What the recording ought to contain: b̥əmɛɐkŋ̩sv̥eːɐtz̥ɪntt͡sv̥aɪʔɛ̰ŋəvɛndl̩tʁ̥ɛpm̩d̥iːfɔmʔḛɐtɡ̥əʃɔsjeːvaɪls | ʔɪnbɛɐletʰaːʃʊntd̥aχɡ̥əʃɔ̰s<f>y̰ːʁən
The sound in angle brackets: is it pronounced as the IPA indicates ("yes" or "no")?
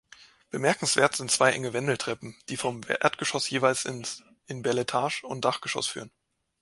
yes